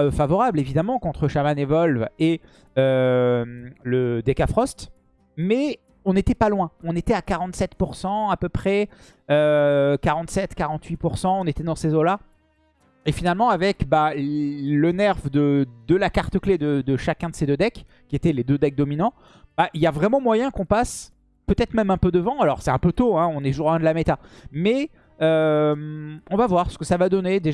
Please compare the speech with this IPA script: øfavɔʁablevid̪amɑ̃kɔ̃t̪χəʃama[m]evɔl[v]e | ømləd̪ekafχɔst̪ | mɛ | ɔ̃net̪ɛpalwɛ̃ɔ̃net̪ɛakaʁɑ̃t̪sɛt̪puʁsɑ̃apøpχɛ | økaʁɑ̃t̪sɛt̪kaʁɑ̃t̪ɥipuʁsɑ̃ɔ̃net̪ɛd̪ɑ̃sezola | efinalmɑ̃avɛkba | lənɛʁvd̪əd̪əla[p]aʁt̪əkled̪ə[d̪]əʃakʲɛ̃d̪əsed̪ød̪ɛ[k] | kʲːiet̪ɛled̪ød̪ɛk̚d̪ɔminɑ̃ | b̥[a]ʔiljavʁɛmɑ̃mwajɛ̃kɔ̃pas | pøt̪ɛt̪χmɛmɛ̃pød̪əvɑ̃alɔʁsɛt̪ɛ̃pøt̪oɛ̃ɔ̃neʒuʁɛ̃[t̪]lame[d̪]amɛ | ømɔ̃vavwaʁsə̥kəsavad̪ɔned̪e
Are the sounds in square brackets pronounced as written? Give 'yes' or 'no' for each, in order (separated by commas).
no, yes, no, yes, yes, yes, no, no